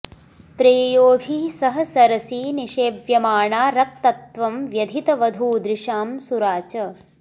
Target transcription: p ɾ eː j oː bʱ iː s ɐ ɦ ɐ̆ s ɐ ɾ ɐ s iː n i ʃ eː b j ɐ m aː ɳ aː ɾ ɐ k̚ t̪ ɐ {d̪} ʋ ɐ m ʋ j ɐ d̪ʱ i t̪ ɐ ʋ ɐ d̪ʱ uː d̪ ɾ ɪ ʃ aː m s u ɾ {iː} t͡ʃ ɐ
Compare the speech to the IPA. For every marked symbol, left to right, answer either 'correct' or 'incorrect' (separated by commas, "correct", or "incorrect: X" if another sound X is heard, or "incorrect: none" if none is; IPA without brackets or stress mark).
incorrect: t̪, incorrect: aː